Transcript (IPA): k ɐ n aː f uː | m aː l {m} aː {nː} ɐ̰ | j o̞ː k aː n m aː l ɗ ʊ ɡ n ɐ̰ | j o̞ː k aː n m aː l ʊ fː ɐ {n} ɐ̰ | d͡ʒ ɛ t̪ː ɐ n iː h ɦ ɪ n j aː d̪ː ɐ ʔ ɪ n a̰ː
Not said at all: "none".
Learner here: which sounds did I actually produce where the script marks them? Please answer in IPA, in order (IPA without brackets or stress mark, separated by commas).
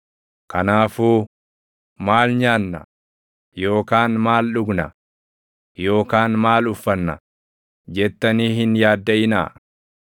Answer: ɲ, nː, nː